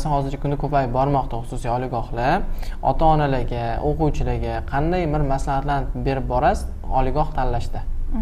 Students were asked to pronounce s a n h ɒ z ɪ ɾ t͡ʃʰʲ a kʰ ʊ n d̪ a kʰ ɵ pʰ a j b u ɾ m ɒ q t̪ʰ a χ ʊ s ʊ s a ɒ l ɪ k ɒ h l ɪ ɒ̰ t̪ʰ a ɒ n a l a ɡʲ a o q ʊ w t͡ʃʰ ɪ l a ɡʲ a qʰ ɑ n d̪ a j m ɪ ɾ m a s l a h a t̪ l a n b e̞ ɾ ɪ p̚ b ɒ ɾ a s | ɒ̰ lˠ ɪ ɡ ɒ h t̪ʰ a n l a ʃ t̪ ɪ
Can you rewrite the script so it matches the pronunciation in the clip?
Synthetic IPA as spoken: s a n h ɒ z ɪ ɾ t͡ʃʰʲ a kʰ ʊ n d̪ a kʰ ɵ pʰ a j b ɒ ɾ m ɒ q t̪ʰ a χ ʊ s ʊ s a ɒ l ɪ ɡ ɒ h l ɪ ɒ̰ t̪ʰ a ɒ n a l a ɡʲ a o q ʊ w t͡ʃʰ ɪ l a ɡʲ a qʰ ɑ n d̪ a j m ɪ ɾ m a s l a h a t̪ l a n b e̞ ɾ ɪ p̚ b ɒ ɾ a s | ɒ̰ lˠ ɪ ɡ ɒ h t̪ʰ a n l a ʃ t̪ ɪ